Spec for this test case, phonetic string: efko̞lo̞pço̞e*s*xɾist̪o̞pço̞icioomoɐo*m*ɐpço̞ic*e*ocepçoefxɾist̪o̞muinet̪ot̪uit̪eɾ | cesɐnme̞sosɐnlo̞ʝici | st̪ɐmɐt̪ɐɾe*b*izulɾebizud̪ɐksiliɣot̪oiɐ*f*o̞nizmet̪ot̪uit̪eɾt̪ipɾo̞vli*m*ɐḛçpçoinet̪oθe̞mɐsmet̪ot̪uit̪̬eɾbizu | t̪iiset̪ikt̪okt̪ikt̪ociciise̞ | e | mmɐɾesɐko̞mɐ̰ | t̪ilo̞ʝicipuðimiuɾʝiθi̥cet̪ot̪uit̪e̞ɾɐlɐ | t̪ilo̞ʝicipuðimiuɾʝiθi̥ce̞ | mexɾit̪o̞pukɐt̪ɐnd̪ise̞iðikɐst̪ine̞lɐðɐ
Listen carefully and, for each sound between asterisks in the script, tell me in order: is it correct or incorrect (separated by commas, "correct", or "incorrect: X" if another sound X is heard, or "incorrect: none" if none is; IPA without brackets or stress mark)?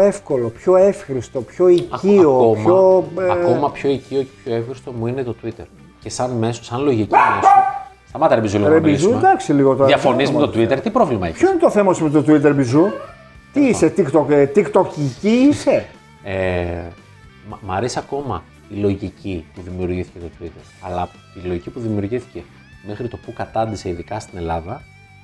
incorrect: f, correct, incorrect: i, correct, correct, correct